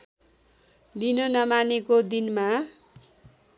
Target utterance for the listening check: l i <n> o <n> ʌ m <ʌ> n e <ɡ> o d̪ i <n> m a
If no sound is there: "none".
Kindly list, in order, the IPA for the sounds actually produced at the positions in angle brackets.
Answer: n, n, a, k, n

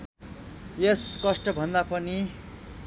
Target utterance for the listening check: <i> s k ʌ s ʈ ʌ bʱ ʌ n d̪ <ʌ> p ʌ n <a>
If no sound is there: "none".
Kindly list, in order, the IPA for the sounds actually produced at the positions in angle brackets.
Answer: e, a, i

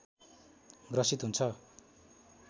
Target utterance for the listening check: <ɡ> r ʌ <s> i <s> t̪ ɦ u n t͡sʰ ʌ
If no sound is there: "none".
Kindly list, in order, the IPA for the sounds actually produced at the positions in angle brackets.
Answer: ɡ, s, none

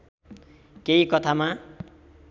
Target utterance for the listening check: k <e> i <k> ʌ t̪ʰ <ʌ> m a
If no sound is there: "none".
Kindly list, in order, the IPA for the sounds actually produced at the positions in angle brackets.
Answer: e, k, a

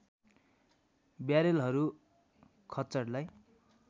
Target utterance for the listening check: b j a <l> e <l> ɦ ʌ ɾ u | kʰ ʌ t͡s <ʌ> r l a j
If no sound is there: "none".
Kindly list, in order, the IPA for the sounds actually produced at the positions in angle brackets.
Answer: ɾ, l, ʌ

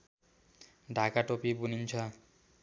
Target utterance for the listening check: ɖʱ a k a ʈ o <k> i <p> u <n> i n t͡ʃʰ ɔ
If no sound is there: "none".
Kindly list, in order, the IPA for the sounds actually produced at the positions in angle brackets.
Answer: p, b, n

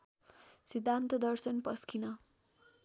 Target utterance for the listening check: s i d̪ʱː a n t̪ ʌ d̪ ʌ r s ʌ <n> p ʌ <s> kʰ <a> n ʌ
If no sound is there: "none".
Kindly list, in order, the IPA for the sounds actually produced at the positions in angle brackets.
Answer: n, s, i

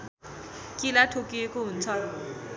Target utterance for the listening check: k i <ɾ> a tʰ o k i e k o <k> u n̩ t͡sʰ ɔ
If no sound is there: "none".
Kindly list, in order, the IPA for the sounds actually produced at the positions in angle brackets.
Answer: l, none

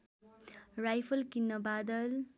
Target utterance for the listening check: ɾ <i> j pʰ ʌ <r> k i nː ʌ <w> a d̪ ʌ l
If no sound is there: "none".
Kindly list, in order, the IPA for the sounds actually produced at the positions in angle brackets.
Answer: a, l, b

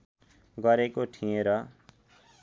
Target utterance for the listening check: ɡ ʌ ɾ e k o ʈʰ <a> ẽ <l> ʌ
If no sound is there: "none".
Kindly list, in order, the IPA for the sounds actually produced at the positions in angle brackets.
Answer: i, ɾ

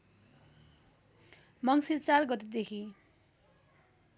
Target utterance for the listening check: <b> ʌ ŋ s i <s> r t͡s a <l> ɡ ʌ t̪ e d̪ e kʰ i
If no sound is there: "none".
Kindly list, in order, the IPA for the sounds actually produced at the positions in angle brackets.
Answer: m, none, r

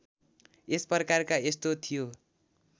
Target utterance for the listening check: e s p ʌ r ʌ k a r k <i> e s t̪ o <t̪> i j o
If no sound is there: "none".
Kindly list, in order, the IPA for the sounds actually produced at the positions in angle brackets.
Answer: a, t̪ʰ

